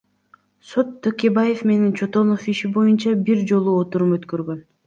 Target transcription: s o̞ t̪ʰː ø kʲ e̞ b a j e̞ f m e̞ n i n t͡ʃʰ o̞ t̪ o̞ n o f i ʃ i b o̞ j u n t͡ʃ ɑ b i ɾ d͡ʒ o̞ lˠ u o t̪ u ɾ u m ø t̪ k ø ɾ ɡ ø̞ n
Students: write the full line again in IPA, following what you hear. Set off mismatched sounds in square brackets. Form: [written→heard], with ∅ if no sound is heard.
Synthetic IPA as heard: s o̞ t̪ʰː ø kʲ e̞ b a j e̞ f m e̞ n i n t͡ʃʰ o̞ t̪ o̞ n o f i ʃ i b o̞ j u n t͡ʃ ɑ b i ɾ d͡ʒ o̞ lˠ u o t̪ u ɾ u m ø t̪ k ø ɾ ɡ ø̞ n